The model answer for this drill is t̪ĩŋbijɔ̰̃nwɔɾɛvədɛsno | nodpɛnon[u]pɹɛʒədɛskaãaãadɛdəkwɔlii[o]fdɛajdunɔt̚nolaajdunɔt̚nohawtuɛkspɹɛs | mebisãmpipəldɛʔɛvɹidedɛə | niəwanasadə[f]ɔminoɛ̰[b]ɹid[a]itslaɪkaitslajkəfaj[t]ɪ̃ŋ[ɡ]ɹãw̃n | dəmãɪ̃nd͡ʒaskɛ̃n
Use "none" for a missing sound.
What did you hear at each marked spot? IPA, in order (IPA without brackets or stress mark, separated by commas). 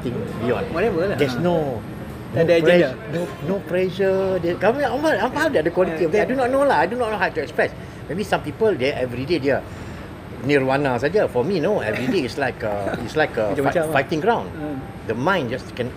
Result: o, ɔ, f, v, e, t, ɡ